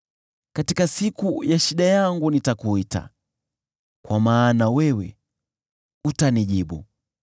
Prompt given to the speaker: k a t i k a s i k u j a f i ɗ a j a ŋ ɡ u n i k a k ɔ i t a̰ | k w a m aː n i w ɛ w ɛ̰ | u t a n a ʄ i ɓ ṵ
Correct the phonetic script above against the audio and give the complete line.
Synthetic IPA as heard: k a t i k a s i k u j a ʃ i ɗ a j a ŋ ɡ u n i t a k u i t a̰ | k w a m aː n a w ɛ w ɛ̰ | u t a n i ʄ i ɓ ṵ

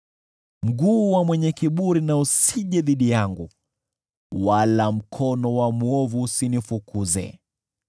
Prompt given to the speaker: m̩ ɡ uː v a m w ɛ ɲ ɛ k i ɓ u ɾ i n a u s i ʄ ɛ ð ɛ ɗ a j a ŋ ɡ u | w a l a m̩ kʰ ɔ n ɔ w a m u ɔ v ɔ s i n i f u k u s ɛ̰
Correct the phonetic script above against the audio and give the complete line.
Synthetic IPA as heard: m̩ ɡ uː w a m w ɛ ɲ ɛ k i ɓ u ɾ i n a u s i ʄ ɛ ð i ɗ i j a ŋ ɡ u | w a l a m̩ kʰ ɔ n ɔ w a m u ɔ v u s i n i f u k u z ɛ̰

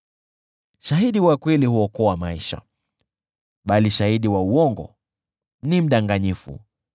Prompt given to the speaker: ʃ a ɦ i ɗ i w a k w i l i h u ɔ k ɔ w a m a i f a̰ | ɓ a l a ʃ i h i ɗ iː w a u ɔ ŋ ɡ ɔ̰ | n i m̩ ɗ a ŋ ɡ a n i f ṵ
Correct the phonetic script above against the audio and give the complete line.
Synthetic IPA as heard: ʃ a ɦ i ɗ i w a k w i l i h u ɔ k ɔ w a m a i ʃ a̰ | ɓ a l i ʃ a h i ɗ i w a u ɔ ŋ ɡ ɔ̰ | n i m̩ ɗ a ŋ ɡ a ɲ i f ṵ

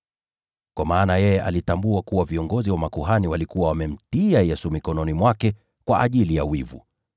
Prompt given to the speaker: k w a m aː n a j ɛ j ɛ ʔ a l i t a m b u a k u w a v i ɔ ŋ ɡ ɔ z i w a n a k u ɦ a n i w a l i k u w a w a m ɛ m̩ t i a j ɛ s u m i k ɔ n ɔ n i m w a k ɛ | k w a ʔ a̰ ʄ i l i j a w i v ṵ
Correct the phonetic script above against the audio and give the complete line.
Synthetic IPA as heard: k w a m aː n a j ɛ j ɛ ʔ a l i t a m b u a k u w a v i ɔ ŋ ɡ ɔ z i w a m a k u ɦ a n i w a l i k u w a w a m ɛ m̩ t i a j ɛ s u m i k ɔ n ɔ n i m w a k ɛ | k w a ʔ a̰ ʄ i l i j a w i v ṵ

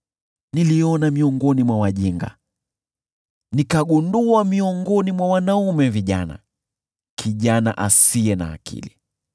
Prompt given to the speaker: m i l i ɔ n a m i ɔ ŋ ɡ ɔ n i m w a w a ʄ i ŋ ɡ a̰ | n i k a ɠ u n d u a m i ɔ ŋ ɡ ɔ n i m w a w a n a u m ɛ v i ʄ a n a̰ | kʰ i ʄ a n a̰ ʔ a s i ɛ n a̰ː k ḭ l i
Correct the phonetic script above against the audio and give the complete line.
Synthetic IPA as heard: n i l i ɔ n a m i ɔ ŋ ɡ ɔ n i m w a w a ʄ i ŋ ɡ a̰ | n i k a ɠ u n d u a m i ɔ ŋ ɡ ɔ n i m w a w a n a u m ɛ v i ʄ a n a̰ | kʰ i ʄ a n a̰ ʔ a s i ɛ n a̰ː k ḭ l i

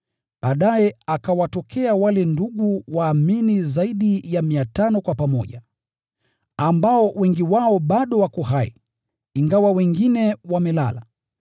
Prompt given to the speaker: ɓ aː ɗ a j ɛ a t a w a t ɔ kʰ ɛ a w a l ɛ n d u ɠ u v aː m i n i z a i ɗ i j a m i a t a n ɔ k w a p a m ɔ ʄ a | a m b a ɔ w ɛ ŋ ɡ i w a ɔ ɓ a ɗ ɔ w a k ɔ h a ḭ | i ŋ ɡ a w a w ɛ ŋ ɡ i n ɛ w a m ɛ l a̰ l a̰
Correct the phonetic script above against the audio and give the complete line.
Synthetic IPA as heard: ɓ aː ɗ a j ɛ a k a w a t ɔ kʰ ɛ a w a l ɛ n d u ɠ u w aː m i n i z a i ɗ i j a m i a t a n ɔ k w a p a m ɔ ʄ a | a m b a ɔ w ɛ ŋ ɡ i w a ɔ ɓ a ɗ ɔ w a k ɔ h a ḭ | i ŋ ɡ a w a w ɛ ŋ ɡ i n ɛ w a m ɛ l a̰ l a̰

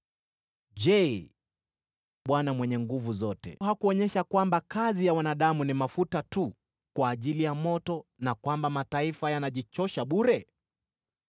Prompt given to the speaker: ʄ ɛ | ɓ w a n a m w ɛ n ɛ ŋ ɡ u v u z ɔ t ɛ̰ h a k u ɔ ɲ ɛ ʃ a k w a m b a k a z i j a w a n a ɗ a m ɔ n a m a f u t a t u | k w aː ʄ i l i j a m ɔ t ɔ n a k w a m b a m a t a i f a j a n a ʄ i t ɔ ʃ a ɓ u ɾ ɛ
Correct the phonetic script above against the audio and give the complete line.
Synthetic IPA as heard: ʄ ɛ | ɓ w a n a m w ɛ ɲ ɛ ŋ ɡ u v u z ɔ t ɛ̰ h a k u ɔ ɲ ɛ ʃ a k w a m b a k a z i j a w a n a ɗ a m u n i m a f u t a t u | k w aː ʄ i l i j a m ɔ t ɔ n a k w a m b a m a t a i f a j a n a ʄ i t͡ʃ ɔ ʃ a ɓ u ɾ ɛ

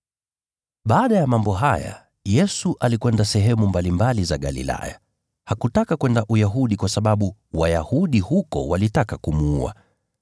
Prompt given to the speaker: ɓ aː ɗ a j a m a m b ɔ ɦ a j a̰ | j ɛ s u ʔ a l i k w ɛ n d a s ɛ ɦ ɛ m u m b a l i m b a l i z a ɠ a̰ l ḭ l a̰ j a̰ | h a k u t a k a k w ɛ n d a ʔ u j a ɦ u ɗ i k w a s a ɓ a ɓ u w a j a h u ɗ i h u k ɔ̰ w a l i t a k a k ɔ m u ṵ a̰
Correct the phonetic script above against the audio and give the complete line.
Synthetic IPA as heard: ɓ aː ɗ a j a m a m b ɔ ɦ a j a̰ | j ɛ s u ʔ a l i k w ɛ n d a s ɛ ɦ ɛ m u m b a l i m b a l i z a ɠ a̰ l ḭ l a̰ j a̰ | h a k u t a k a k w ɛ n d a ʔ u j a ɦ u ɗ i k w a s a ɓ a ɓ u w a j a h u ɗ i h u k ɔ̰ w a l i t a k a k u m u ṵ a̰

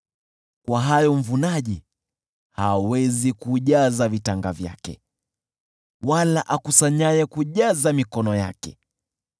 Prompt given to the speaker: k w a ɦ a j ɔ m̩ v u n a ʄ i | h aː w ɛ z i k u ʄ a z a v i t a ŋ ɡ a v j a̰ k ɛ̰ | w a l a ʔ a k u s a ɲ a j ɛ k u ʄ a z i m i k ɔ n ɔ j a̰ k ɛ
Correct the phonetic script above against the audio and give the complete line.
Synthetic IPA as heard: k w a ɦ a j ɔ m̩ v u n a ʄ i | h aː w ɛ z i k u ʄ a z a v i t a ŋ ɡ a v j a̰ k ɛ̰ | w a l a ʔ a k u s a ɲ a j ɛ k u ʄ a z a m i k ɔ n ɔ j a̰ k ɛ

